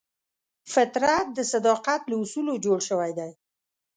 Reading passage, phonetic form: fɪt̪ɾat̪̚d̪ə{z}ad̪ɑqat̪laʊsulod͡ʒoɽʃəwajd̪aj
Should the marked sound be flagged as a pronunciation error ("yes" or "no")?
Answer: yes